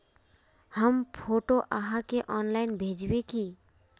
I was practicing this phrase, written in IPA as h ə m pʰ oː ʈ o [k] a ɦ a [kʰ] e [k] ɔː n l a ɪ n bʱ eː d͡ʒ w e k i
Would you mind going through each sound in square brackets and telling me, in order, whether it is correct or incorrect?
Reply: incorrect: ʔ, incorrect: k, incorrect: ʔ

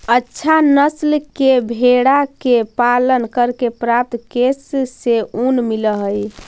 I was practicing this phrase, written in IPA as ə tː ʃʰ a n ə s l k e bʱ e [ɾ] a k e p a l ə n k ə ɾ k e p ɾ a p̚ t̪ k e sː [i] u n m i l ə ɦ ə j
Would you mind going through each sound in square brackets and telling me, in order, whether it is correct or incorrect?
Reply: incorrect: ɽ, incorrect: e

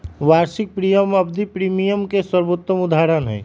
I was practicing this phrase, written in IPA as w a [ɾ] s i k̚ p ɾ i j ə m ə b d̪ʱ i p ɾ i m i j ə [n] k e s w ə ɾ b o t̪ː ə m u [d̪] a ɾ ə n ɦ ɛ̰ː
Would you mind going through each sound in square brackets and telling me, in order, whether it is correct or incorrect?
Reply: correct, incorrect: m, correct

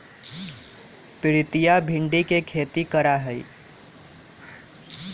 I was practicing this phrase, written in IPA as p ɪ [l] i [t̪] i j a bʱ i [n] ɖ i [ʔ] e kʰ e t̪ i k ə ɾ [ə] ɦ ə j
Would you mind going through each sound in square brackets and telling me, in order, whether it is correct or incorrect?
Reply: incorrect: ɾ, correct, incorrect: ɳ, incorrect: k, incorrect: a

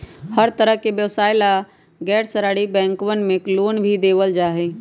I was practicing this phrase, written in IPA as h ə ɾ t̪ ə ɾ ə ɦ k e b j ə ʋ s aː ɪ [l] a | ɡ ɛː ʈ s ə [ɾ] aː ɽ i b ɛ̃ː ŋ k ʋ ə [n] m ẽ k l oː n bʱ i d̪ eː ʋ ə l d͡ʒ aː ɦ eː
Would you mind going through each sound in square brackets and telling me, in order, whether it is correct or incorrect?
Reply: correct, correct, correct

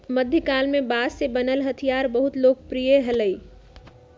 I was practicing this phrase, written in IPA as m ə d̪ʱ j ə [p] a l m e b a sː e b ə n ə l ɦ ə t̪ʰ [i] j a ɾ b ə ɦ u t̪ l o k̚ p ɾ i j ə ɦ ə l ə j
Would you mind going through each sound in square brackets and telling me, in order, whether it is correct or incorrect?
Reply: incorrect: k, correct

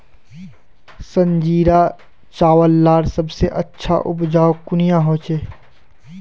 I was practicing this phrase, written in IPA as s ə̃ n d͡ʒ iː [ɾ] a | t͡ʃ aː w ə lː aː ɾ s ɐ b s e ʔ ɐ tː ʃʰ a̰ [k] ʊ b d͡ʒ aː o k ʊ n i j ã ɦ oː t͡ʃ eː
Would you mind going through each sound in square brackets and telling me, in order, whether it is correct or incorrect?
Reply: correct, incorrect: ʔ

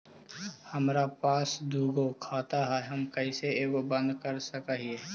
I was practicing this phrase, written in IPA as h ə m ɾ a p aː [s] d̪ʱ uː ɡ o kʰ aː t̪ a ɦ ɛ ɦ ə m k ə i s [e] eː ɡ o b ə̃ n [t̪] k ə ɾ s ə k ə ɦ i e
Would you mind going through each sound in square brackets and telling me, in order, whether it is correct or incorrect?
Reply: correct, correct, incorrect: d̪

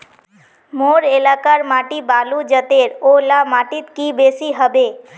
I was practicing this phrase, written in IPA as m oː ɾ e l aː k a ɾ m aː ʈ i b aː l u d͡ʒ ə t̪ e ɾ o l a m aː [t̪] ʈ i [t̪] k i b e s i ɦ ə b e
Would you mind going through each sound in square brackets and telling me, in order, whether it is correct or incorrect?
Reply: incorrect: none, correct

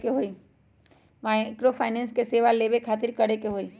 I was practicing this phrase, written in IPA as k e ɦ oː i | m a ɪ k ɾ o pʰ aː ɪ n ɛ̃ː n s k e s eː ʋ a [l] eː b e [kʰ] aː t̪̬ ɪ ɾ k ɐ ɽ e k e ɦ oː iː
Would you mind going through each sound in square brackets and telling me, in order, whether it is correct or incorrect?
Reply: correct, correct

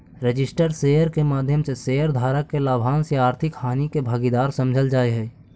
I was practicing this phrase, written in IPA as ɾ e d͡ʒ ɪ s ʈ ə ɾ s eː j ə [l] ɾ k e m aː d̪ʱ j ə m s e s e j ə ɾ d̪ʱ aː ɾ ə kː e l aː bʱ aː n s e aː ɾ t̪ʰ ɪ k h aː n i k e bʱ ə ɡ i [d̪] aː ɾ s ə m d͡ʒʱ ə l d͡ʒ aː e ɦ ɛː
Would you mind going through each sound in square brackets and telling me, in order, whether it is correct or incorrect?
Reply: incorrect: none, correct

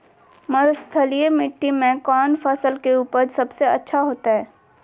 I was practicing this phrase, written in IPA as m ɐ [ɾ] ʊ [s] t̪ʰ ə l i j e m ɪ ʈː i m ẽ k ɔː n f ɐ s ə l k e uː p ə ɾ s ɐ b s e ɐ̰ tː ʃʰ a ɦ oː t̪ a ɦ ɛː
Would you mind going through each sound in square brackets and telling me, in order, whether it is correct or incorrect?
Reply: correct, correct

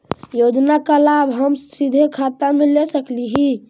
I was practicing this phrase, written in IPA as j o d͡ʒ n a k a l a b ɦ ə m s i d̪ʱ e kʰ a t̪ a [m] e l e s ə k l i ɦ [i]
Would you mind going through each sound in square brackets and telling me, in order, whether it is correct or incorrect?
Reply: correct, correct

